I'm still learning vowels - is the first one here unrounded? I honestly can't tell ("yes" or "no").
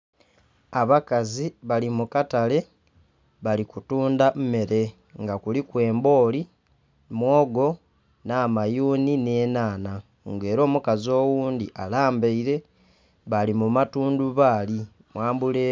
yes